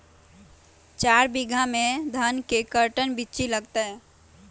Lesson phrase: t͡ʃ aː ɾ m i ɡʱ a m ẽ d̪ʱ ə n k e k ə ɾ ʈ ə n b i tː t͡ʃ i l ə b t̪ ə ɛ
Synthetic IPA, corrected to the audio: t͡ʃ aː ɾ b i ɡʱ a m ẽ d̪ʱ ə n k e k ə ɾ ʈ ə n b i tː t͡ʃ i l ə ɡ t̪ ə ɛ

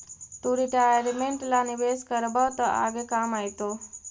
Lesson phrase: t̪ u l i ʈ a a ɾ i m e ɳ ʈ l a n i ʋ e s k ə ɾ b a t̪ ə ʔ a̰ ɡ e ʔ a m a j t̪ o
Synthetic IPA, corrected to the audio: t̪ u ɾ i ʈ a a ɾ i m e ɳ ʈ l a n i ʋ e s k ə ɾ b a t̪ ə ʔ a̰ ɡ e k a m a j t̪ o

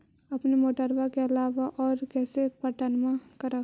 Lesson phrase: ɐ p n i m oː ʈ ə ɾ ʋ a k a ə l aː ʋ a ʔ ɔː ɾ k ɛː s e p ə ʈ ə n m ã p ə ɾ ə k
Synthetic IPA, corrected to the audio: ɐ p n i m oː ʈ ə ɾ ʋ a k e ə l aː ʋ a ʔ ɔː ɾ k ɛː s e p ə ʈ ə n m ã k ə ɾ ə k

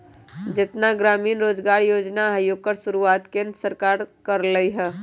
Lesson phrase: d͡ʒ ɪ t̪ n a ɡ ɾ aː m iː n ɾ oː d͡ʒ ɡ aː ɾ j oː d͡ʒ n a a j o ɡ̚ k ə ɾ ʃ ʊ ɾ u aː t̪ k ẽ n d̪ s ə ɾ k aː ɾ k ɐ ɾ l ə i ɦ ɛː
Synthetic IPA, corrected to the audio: d͡ʒ ɪ t̪ n a ɡ ɾ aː m iː n ɾ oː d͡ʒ ɡ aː ɾ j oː d͡ʒ n a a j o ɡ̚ k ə ɾ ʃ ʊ ɾ u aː t̪ k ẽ n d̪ s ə ɾ k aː ɾ k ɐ ɾ l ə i ɦ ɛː

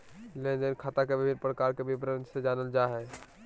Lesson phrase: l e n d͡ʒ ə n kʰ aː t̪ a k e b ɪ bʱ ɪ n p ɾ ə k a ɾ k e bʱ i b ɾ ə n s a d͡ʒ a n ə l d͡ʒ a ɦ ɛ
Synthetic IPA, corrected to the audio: l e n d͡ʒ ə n kʰ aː t̪ a k e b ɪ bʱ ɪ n p ɾ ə k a ɾ k e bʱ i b ɾ ə n s e d͡ʒ a n ə l d͡ʒ a ɦ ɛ

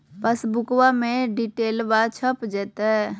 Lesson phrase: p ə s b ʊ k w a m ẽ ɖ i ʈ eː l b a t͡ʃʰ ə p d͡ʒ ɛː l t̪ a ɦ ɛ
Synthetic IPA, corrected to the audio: p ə s b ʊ k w a m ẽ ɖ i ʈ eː l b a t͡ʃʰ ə p d͡ʒ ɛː t̪ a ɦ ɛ

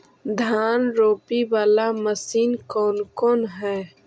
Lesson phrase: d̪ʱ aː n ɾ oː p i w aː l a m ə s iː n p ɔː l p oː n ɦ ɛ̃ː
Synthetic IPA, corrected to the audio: d̪ʱ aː n ɾ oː p i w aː l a m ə s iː n k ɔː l k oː n ɦ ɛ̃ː

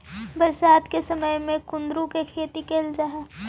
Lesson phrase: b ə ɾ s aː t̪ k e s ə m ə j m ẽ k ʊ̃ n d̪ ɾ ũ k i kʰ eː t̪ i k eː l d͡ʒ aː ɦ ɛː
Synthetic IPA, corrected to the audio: b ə ɾ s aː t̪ k e s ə m ə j m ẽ k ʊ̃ n d̪ ɾ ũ k e kʰ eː t̪ i k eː l d͡ʒ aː ɦ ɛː

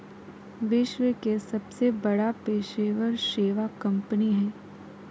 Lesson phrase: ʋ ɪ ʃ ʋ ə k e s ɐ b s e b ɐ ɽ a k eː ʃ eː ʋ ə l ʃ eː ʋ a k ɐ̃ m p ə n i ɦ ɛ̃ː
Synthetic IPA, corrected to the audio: ʋ ɪ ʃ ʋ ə k e s ɐ b s e b ɐ ɽ a p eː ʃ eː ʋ ə ɾ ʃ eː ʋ a k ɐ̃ m p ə n i ɦ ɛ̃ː

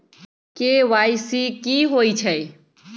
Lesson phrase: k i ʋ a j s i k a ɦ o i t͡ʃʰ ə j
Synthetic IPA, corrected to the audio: k e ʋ a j s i k i ɦ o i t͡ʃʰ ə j

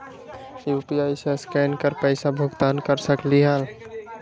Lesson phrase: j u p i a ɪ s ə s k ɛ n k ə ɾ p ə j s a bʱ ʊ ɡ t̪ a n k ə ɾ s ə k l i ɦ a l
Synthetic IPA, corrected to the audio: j u p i a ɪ s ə s k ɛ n k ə ɾ p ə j s a bʱ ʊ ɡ t̪ a n k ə ɾ s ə k l i ɦ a l

